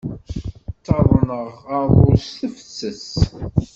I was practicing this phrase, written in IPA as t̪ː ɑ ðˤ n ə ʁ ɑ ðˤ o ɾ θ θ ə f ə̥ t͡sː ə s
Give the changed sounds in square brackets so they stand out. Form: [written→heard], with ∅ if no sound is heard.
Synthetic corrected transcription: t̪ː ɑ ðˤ n ə ʁ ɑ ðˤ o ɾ [θ→s] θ ə f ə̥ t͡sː ə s